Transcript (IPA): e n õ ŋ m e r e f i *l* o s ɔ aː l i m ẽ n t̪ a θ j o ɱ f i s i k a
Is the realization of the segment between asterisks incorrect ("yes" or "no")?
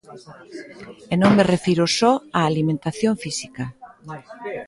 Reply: yes